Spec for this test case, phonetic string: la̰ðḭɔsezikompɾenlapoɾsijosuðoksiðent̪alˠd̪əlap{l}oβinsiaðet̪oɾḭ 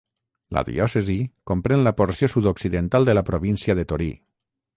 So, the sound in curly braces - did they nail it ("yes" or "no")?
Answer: no